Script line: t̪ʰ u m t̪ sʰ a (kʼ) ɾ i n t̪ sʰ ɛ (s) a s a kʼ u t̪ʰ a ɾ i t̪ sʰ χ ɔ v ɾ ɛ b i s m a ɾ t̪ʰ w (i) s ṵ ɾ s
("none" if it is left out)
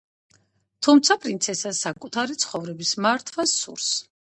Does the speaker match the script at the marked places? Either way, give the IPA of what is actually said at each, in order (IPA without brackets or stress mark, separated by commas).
pʼ, s, a